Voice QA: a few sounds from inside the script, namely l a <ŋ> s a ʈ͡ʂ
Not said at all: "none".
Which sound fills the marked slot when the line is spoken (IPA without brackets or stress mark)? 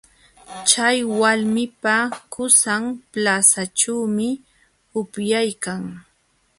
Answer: none